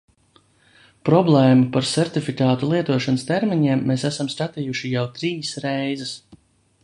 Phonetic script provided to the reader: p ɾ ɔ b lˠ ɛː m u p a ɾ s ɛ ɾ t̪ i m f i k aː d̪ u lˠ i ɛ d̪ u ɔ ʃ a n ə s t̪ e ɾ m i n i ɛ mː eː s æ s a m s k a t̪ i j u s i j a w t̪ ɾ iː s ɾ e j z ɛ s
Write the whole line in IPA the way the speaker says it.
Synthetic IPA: p ɾ ɔ b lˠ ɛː m u p a ɾ s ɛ ɾ t̪ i f i k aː t̪ u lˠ i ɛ t̪ u ɔ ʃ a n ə s t̪ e ɾ m i ɲ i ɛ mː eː s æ s a m s k a t̪ i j u ʃ i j a w t̪ ɾ iː s ɾ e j z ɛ s